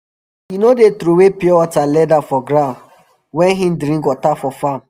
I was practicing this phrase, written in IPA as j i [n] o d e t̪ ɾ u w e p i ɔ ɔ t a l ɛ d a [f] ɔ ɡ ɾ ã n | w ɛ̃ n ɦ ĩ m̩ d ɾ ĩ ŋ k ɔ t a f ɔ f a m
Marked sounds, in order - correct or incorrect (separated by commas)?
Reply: correct, correct